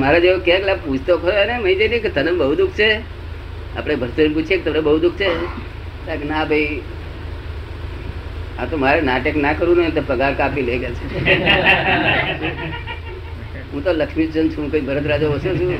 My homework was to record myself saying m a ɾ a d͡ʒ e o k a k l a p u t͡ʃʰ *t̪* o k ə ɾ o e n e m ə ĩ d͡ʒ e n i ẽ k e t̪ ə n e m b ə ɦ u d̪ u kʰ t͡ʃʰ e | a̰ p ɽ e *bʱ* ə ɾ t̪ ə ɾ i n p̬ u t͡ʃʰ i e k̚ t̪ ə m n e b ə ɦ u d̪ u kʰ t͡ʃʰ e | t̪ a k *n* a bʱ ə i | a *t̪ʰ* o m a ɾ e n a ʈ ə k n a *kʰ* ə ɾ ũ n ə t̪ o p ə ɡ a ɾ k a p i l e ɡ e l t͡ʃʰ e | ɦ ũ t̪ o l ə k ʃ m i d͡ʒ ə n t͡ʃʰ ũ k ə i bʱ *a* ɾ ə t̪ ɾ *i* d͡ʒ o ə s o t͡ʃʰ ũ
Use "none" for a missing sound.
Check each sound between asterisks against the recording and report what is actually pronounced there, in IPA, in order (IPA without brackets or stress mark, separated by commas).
t̪, bʱ, n, t̪, k, ə, a